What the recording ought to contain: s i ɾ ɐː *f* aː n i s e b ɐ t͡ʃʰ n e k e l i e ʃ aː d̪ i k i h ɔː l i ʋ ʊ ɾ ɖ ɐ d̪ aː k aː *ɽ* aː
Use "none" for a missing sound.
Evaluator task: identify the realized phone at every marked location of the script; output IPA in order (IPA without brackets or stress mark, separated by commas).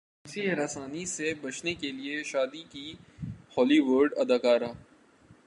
s, ɾ